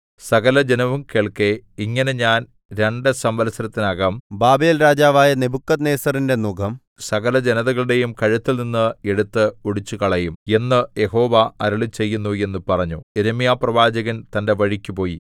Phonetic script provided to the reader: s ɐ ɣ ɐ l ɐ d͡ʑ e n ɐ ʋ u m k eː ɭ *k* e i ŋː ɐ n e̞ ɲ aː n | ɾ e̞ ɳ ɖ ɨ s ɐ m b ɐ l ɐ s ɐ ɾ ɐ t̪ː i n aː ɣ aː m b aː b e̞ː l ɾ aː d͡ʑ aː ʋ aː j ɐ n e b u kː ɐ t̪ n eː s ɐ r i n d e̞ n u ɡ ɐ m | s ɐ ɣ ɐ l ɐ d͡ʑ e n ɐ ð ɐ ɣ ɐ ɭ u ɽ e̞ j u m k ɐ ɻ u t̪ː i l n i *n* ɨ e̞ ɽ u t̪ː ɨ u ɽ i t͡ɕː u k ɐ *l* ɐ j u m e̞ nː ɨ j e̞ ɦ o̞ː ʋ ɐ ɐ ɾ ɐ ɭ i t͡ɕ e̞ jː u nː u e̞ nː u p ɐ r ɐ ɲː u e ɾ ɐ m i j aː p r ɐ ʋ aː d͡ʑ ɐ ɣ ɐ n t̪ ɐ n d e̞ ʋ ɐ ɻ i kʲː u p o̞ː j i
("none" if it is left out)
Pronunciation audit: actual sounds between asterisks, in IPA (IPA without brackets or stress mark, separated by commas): k, nː, ɭ